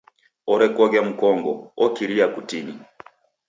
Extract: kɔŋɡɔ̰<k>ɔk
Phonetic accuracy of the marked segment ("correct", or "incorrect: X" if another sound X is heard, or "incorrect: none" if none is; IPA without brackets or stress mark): incorrect: none